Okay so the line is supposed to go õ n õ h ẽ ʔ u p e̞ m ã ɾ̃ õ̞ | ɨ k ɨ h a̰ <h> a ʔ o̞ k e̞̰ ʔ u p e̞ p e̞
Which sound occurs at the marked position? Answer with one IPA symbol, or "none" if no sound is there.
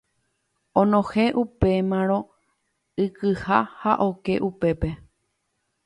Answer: h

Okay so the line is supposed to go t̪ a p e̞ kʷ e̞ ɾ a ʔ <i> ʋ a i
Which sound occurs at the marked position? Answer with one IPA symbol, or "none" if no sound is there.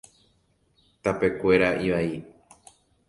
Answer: i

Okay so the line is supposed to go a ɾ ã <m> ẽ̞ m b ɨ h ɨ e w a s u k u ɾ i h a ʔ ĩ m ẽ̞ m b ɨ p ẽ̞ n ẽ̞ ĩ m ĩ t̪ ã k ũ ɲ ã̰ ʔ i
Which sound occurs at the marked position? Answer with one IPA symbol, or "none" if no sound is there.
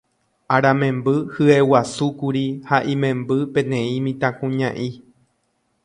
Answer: m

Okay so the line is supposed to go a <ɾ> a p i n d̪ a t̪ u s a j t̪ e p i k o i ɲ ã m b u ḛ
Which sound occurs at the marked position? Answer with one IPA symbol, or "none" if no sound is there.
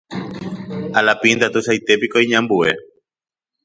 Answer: l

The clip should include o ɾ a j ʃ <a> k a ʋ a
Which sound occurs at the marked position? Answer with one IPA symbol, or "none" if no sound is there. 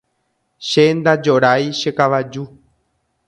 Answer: e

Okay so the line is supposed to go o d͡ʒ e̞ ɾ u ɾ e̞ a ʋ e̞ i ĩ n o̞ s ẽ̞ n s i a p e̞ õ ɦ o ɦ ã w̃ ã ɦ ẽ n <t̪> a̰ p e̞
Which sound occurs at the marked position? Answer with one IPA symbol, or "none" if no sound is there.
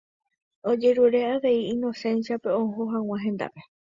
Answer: d̪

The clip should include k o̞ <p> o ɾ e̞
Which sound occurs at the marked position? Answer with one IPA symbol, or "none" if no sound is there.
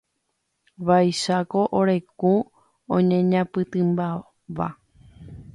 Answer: ʔ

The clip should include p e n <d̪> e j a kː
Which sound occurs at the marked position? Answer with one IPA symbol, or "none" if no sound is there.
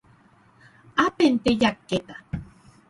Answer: t̪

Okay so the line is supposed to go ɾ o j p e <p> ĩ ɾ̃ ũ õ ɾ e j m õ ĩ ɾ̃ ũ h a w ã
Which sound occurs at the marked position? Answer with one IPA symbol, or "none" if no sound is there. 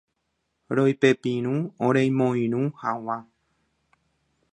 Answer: p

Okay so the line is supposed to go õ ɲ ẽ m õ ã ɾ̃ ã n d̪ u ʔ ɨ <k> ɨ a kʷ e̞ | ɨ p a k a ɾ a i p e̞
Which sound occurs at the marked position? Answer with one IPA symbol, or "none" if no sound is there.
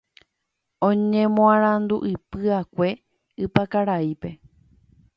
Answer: p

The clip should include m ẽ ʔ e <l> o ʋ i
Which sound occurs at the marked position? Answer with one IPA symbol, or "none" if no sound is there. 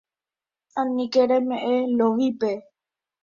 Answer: l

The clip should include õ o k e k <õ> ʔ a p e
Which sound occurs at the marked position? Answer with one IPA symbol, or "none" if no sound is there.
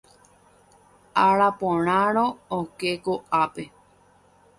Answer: o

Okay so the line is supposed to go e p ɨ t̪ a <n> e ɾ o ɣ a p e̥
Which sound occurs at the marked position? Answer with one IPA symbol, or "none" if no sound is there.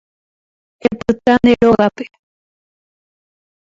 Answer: n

